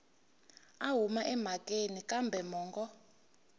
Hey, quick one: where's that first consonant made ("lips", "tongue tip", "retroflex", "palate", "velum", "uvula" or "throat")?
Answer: throat